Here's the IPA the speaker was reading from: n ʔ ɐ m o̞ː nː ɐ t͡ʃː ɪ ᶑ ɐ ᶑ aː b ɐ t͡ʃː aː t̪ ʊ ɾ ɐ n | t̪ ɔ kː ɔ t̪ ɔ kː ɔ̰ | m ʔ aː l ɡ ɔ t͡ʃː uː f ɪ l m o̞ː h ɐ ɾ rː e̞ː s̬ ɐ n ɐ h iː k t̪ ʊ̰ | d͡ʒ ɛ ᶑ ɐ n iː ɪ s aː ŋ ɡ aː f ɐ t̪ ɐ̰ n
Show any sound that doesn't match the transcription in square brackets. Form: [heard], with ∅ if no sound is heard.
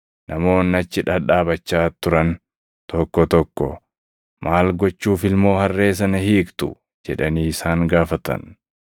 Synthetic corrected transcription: n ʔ ɐ m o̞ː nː ɐ t͡ʃː ɪ ᶑ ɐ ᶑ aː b ɐ t͡ʃː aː t̪ ʊ ɾ ɐ n | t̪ ɔ kː ɔ t̪ ɔ kː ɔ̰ | m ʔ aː l ɡ ɔ t͡ʃː uː f ɪ l m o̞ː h ɐ [∅] rː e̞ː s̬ ɐ n ɐ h iː k t̪ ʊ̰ | d͡ʒ ɛ ᶑ ɐ n iː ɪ s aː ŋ ɡ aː f ɐ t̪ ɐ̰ n